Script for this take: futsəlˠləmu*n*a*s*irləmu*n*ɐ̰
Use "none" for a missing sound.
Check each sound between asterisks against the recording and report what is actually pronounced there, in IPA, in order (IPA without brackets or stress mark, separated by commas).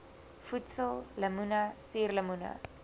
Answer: n, s, n